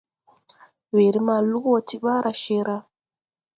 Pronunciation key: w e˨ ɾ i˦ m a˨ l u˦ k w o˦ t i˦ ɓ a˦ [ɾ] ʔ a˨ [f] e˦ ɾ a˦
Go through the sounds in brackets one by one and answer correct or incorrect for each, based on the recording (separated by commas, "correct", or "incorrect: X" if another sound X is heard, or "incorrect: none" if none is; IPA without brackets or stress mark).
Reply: correct, incorrect: ʃ